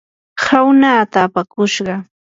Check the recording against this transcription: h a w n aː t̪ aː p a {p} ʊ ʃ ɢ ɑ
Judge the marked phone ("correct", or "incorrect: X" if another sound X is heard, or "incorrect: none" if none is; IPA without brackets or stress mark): incorrect: k